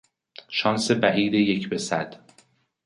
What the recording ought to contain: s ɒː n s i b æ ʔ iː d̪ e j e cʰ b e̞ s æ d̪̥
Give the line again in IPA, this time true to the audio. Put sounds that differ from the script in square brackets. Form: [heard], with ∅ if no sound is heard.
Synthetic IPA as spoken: [ʃ] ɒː n s [e] b æ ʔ iː d̪ e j e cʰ b e̞ s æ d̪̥